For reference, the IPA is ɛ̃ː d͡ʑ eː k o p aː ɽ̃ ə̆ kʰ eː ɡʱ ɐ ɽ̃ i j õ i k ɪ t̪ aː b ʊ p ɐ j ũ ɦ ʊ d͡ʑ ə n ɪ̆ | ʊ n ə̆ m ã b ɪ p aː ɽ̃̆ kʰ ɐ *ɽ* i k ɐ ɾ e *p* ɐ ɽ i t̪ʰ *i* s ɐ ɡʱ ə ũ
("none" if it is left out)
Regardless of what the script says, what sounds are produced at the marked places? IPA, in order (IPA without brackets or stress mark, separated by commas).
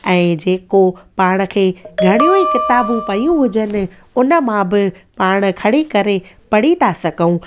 ɽ, p, a